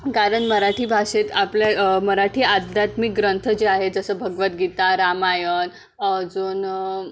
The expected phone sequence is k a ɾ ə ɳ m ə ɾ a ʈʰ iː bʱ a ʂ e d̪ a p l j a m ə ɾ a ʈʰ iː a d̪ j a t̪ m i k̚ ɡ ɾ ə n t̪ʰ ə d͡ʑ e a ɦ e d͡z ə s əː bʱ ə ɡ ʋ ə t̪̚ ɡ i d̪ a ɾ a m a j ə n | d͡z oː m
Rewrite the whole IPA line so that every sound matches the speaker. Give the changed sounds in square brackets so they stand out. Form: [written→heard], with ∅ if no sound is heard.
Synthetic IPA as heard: k a ɾ ə ɳ m ə ɾ a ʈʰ iː bʱ a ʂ e [d̪→t̪] a p l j a m ə ɾ a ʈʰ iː a d̪ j a t̪ m i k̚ ɡ ɾ ə n t̪ʰ ə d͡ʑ e a ɦ e d͡z ə s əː bʱ ə ɡ ʋ ə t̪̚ ɡ i [d̪→t̪] a ɾ a m a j ə n | d͡z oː [m→n]